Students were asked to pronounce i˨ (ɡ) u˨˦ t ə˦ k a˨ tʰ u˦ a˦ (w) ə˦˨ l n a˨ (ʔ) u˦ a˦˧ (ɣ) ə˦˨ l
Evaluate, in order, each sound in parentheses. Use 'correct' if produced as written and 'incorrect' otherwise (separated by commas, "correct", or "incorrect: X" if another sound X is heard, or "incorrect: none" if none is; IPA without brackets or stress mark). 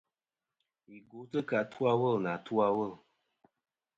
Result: correct, correct, incorrect: t, incorrect: w